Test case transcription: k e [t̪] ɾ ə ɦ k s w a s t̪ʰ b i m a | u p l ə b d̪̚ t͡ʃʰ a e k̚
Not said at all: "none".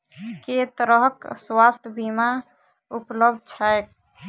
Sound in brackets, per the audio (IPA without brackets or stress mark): t̪